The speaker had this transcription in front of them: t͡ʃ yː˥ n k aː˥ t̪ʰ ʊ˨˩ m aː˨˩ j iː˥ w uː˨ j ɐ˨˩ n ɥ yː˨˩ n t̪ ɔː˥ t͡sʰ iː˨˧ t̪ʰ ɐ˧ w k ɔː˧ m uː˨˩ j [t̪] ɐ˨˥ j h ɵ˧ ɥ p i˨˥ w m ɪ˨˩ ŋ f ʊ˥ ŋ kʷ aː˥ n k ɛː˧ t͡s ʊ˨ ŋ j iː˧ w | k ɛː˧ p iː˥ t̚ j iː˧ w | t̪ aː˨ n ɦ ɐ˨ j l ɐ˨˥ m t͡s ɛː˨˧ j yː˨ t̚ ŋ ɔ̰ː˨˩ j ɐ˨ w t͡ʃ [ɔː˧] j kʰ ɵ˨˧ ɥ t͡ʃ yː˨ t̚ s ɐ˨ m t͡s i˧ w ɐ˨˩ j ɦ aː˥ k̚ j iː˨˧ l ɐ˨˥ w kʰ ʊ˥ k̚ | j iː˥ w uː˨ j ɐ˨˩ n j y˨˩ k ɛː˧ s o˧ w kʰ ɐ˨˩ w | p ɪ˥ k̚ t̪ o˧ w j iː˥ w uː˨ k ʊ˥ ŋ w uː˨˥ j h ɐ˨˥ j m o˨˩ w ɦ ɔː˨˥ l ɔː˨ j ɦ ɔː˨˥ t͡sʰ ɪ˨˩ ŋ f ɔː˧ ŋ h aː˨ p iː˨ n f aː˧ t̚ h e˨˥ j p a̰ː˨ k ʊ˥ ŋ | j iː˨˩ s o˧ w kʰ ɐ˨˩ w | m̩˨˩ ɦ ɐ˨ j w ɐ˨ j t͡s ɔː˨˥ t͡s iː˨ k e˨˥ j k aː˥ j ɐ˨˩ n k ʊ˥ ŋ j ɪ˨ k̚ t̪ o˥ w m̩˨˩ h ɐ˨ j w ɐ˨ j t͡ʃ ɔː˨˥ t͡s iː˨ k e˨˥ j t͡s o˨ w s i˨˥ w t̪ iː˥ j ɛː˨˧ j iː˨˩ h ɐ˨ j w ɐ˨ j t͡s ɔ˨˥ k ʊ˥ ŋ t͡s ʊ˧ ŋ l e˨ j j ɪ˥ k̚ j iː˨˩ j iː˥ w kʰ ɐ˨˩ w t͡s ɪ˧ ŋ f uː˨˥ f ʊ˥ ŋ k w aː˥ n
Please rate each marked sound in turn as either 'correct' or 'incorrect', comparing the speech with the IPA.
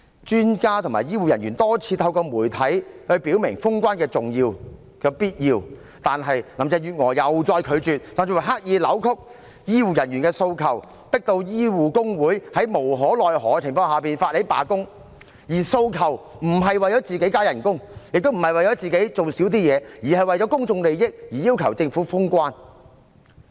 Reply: incorrect, correct

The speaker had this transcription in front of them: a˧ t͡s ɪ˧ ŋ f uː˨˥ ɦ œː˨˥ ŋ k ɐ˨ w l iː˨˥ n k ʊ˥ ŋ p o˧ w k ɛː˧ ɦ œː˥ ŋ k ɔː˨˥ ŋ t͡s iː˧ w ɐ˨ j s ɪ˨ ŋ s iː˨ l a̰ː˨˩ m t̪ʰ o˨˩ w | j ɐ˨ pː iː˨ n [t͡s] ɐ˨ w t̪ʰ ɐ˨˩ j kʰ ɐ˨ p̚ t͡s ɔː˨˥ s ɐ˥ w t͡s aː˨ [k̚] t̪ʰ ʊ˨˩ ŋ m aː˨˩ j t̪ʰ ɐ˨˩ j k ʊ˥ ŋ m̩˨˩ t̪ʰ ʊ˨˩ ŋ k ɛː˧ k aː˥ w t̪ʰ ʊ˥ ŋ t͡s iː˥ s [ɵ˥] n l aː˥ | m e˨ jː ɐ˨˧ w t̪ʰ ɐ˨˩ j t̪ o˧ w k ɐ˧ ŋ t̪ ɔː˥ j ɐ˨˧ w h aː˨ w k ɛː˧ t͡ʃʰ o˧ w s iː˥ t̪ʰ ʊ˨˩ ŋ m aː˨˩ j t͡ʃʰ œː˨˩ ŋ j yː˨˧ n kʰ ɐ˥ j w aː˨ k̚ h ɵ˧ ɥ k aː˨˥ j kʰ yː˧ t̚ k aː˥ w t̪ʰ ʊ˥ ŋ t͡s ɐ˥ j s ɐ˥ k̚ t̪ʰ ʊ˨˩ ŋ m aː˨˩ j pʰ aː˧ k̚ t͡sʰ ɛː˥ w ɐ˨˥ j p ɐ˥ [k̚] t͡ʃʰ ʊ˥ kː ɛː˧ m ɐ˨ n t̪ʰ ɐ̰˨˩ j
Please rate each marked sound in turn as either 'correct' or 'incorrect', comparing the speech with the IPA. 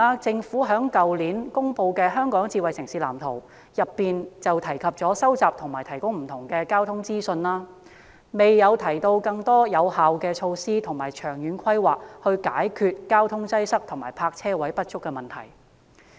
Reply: correct, incorrect, incorrect, incorrect

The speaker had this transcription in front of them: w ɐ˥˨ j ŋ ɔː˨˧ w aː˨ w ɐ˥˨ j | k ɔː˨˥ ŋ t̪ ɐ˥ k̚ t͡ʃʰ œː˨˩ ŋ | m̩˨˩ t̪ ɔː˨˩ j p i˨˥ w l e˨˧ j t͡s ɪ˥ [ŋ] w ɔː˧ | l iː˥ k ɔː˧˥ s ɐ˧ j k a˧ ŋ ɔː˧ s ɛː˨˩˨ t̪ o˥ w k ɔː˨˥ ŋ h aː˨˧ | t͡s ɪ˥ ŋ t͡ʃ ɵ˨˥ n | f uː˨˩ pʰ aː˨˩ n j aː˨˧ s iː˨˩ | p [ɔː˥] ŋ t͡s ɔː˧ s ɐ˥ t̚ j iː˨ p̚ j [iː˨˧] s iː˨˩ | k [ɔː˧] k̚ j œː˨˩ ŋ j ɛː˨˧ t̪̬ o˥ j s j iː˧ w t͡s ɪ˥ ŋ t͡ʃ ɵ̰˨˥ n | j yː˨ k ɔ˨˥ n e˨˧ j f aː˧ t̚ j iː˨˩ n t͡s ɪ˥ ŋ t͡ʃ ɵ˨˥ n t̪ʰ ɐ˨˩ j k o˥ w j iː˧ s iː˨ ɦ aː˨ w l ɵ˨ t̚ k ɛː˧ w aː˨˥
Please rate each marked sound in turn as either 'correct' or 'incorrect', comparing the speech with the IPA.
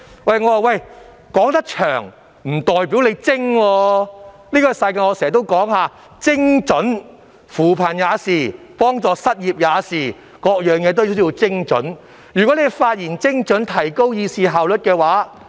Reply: correct, correct, incorrect, correct

